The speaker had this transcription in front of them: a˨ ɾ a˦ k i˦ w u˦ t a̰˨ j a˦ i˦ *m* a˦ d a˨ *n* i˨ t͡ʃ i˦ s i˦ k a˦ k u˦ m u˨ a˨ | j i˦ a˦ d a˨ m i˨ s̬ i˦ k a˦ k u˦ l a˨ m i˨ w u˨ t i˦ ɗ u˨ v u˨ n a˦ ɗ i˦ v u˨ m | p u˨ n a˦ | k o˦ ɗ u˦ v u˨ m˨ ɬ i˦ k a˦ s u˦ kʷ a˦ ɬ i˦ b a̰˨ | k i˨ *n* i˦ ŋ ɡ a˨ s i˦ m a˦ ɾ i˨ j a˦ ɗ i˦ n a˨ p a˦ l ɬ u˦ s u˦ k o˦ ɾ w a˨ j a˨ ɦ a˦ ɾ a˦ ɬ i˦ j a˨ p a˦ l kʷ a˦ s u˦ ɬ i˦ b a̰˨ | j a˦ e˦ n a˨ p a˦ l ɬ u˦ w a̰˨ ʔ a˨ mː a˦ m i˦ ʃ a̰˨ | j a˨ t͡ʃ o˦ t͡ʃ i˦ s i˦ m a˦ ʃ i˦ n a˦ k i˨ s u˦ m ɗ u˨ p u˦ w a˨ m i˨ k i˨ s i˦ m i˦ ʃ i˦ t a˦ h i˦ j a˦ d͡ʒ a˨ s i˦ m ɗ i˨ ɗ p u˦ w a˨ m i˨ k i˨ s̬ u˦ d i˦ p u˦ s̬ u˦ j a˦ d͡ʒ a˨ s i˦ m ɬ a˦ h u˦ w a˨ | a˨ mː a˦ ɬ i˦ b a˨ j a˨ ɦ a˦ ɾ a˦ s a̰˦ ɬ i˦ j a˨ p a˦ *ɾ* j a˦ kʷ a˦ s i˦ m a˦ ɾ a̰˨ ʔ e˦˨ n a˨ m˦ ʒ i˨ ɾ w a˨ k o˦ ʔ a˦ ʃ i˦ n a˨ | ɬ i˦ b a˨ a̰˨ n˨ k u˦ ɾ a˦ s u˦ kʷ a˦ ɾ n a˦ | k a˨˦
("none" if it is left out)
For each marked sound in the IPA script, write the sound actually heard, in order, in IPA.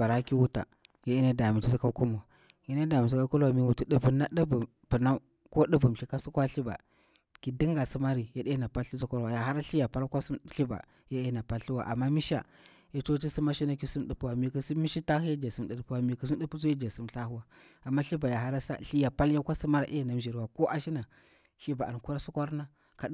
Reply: n, m, d, l

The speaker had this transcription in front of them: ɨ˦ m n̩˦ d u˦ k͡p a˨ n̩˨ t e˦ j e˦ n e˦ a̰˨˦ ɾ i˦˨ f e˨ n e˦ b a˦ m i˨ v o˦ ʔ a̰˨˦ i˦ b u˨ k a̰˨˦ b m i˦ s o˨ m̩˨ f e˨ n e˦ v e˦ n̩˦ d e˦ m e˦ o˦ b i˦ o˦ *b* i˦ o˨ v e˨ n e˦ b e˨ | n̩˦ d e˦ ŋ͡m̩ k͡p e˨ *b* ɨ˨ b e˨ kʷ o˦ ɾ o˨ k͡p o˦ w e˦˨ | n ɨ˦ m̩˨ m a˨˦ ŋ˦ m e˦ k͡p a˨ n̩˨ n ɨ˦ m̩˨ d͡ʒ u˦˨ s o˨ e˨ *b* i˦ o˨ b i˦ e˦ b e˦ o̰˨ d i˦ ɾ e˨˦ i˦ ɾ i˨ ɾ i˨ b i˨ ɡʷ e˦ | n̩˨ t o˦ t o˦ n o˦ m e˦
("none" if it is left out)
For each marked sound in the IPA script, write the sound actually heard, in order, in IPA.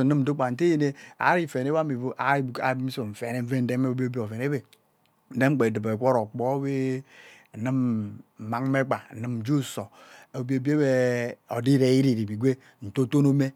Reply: b, d, b

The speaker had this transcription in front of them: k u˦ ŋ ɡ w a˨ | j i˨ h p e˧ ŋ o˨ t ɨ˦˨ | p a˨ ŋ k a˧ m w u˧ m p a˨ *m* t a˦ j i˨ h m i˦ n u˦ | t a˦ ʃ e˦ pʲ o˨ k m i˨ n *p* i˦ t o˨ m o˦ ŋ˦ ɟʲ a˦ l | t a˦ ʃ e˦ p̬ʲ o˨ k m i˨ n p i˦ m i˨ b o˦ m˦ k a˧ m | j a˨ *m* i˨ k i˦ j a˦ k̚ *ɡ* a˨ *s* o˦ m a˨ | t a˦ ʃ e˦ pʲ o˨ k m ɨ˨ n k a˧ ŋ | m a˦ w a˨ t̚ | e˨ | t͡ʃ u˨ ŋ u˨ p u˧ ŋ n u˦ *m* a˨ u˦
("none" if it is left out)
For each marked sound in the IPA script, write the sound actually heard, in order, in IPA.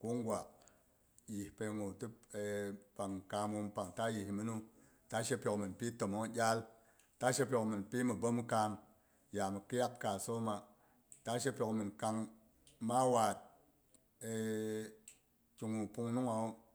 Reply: ŋ, p, m, k, s, ŋ

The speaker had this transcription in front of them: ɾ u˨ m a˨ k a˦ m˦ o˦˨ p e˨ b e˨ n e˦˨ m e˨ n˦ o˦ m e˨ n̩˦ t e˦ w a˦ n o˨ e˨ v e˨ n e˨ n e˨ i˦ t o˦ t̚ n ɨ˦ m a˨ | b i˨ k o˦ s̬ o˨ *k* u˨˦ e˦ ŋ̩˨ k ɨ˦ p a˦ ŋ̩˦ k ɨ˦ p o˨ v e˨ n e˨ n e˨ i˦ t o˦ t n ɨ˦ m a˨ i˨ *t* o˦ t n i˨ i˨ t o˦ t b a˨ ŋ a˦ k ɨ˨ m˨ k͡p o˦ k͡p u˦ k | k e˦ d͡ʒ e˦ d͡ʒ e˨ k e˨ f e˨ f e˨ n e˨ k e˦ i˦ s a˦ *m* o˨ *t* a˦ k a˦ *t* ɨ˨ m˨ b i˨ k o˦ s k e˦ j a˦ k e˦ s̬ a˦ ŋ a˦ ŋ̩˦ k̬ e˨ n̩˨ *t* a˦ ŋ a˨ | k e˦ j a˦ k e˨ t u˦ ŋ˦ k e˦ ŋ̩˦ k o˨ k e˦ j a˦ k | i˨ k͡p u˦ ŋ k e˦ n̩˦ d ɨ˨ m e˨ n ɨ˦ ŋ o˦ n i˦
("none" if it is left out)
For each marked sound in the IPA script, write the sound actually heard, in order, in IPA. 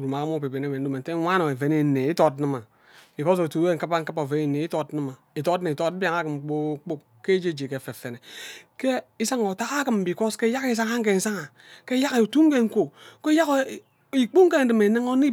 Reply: t, t, ŋ, t, k, s

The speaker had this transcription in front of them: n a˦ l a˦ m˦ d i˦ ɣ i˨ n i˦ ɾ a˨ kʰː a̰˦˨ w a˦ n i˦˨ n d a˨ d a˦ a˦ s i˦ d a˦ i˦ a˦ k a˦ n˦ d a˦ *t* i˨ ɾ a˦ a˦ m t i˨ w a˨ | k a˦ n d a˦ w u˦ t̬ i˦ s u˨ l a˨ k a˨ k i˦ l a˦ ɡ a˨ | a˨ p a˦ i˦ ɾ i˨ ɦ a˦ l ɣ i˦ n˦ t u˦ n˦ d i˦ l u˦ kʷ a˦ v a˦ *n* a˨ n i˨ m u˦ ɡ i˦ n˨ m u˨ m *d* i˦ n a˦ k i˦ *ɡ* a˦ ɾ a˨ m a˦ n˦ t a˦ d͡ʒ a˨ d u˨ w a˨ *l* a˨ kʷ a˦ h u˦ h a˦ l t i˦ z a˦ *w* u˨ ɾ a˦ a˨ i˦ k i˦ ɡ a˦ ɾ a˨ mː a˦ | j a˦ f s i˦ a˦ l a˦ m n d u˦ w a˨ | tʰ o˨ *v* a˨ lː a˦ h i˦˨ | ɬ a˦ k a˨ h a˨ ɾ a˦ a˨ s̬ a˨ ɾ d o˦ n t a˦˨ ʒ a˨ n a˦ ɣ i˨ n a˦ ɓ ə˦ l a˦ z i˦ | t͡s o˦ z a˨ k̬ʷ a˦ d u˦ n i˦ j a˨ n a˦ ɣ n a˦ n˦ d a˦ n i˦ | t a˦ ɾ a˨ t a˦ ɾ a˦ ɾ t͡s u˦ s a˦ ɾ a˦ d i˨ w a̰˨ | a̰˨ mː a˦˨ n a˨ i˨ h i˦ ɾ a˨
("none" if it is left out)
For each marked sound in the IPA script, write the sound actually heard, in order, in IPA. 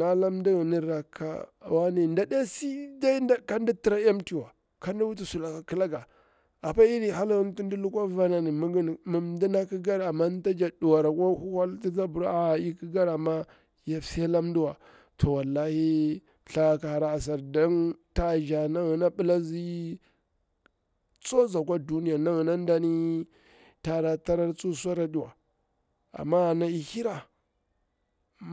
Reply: t, n, d, ɡ, ɾ, b, w

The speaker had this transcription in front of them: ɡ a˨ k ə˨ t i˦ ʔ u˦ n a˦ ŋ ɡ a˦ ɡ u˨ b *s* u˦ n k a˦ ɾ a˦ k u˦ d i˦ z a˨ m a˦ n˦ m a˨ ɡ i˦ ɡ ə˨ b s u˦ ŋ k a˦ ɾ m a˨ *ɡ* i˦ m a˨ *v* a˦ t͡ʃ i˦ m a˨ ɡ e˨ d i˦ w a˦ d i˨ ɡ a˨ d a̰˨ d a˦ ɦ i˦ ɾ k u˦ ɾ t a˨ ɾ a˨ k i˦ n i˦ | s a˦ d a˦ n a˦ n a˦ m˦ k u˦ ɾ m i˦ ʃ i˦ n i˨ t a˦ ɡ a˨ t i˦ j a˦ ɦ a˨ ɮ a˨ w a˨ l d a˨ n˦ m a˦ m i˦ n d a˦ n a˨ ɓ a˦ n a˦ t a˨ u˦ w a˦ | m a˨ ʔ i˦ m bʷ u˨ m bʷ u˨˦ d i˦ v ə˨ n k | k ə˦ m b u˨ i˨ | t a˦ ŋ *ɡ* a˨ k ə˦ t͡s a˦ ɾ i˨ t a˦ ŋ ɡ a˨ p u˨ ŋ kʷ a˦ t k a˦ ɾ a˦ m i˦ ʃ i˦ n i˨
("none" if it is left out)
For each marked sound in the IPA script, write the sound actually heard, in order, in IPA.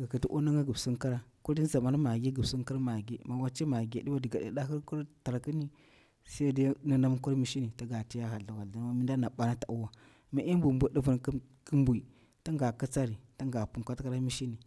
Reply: s, ɡ, w, ɡ

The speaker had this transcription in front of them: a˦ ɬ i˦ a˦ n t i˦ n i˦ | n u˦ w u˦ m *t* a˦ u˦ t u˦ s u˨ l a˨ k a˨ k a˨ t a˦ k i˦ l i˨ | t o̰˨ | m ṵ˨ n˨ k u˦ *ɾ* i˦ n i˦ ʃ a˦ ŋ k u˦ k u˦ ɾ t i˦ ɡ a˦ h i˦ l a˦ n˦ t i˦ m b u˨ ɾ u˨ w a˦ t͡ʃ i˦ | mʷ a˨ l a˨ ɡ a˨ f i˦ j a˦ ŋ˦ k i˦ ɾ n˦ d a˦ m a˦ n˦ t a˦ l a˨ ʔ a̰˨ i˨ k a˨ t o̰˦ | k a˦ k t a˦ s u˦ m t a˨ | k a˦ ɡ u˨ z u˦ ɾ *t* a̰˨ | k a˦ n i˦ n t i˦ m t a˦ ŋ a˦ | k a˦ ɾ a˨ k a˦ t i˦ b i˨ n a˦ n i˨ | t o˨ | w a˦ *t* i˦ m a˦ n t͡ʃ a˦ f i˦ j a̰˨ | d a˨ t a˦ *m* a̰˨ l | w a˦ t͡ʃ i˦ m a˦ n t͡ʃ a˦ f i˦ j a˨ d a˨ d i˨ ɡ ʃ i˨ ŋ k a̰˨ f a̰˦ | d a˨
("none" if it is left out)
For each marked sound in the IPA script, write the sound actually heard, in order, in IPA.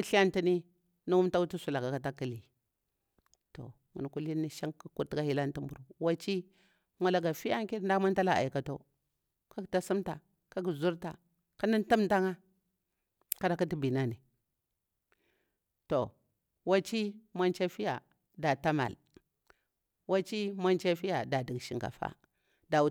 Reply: t, l, t, t͡ʃ, m

